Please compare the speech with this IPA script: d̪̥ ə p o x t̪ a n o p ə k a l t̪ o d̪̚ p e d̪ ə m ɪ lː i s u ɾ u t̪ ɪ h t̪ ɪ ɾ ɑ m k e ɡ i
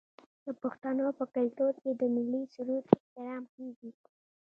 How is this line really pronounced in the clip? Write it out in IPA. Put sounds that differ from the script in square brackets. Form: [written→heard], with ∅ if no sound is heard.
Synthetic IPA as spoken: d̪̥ ə p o x t̪ a n o p ə k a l t̪ o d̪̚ [p→k] e d̪ ə m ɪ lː i s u ɾ u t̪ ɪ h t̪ ɪ ɾ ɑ m k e ɡ i